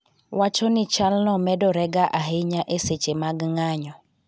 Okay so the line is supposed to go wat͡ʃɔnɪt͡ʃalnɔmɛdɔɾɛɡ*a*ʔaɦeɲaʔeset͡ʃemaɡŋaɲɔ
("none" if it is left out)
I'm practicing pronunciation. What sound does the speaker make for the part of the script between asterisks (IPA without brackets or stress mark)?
a